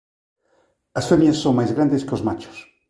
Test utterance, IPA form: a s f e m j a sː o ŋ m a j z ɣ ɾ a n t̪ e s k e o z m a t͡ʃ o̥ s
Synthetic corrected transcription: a s f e m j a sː o ŋ m a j z ɣ ɾ a n d̪ e s k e o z m a t͡ʃ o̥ s